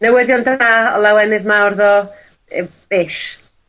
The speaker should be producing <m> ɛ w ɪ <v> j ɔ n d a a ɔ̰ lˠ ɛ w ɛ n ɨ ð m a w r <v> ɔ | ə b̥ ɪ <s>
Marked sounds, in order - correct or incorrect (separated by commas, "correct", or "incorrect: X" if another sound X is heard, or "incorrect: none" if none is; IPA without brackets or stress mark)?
incorrect: n, incorrect: ð, incorrect: ð, incorrect: ʃ